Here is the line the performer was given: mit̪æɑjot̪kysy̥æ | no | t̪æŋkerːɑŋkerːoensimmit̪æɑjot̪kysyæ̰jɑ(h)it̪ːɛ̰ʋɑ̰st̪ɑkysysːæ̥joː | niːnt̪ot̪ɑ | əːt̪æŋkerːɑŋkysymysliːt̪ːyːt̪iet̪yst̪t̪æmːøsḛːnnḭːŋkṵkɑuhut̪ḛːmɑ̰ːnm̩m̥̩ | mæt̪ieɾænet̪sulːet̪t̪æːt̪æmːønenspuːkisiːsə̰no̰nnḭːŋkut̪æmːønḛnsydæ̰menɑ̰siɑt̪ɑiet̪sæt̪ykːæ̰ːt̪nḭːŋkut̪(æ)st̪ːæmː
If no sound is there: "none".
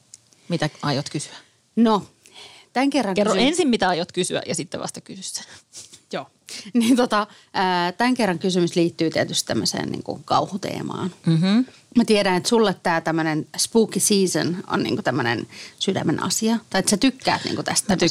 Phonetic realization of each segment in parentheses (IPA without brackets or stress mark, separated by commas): s, æ